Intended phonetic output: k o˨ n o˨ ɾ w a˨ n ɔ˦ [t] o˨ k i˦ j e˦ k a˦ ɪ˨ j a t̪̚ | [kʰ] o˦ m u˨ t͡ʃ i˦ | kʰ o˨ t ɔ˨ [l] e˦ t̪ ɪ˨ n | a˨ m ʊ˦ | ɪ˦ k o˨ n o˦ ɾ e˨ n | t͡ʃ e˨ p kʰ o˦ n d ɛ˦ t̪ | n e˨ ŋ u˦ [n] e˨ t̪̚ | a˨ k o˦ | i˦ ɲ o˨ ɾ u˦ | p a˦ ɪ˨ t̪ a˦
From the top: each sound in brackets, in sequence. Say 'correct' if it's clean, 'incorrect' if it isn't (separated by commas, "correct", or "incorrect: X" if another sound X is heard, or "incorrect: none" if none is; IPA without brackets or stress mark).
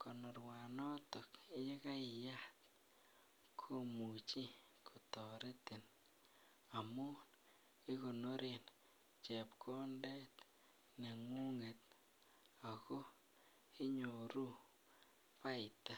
correct, correct, incorrect: ɾ, incorrect: ŋ